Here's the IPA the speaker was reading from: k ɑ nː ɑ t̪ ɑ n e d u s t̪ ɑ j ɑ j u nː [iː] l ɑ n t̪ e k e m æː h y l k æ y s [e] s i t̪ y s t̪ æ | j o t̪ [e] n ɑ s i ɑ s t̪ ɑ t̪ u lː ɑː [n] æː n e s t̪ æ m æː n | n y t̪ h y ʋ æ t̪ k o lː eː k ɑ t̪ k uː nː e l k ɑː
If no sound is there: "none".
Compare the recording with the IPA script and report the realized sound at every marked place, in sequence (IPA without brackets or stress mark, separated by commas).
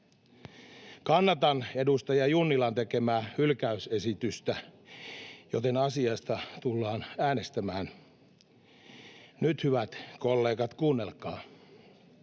i, e, e, n